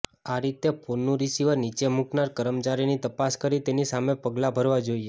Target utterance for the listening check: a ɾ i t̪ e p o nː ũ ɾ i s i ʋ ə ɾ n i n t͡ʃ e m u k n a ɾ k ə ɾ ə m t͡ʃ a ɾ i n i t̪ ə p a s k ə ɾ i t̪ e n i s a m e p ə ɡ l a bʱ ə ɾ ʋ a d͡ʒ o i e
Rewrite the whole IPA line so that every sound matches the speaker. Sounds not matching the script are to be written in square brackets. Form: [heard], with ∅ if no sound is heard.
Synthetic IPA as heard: a ɾ i t̪ e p o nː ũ ɾ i s i ʋ ə ɾ n i [∅] t͡ʃ e m u k n a ɾ k ə ɾ ə m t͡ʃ a ɾ i n i t̪ ə p a s k ə ɾ i t̪ e n i s a m e p ə ɡ l a bʱ ə ɾ ʋ a d͡ʒ o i e